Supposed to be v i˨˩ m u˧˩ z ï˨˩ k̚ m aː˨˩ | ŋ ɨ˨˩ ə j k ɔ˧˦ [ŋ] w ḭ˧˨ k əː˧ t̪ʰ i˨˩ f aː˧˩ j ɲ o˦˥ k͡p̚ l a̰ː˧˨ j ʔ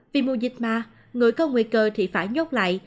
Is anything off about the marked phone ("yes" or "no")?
no